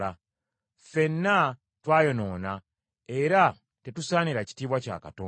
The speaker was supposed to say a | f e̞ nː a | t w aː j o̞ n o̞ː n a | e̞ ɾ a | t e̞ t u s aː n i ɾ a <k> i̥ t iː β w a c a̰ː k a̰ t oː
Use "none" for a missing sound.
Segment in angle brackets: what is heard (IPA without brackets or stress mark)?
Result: c